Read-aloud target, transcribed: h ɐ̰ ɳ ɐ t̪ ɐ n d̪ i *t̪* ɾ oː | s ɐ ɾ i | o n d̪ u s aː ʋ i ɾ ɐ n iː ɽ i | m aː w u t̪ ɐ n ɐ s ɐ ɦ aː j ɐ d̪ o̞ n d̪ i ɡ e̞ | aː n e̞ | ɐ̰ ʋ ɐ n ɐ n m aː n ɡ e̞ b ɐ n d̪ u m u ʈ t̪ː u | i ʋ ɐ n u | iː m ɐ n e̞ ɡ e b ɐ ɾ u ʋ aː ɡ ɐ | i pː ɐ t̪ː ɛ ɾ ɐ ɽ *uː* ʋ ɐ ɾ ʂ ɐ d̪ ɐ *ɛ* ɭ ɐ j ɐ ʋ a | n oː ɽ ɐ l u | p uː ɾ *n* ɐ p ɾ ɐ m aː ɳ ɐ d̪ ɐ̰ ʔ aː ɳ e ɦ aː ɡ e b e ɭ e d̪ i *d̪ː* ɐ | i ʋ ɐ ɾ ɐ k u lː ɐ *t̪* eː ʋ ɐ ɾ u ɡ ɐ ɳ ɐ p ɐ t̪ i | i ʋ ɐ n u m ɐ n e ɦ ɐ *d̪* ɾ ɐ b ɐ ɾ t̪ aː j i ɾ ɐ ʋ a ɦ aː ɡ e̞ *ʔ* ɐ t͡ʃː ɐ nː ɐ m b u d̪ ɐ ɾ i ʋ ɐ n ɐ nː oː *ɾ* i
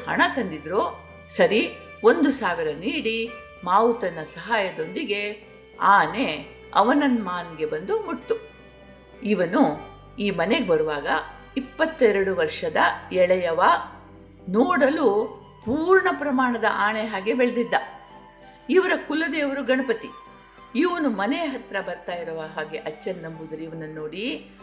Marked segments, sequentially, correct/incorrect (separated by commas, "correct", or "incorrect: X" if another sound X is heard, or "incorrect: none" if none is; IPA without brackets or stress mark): incorrect: d̪, incorrect: u, correct, incorrect: ɳ, correct, incorrect: d̪, incorrect: t̪, correct, incorrect: ɽ